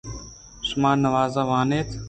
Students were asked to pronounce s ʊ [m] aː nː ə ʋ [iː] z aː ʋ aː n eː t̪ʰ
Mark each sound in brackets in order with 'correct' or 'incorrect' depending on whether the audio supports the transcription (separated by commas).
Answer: correct, incorrect